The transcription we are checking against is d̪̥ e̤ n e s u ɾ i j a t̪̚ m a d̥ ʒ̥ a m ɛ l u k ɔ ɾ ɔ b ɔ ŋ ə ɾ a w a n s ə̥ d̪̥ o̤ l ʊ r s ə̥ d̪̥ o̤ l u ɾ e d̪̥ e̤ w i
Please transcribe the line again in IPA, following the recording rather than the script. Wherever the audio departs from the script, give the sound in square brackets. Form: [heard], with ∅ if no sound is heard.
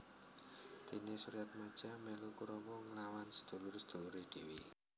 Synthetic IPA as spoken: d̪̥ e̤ n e s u ɾ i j a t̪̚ m a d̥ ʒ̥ a m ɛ l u k [u] ɾ ɔ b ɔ ŋ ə [l] a w a n s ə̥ d̪̥ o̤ l ʊ r s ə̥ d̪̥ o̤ l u ɾ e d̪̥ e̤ w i